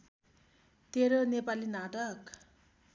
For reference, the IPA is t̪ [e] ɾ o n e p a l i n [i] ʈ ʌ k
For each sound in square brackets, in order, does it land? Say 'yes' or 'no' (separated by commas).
yes, no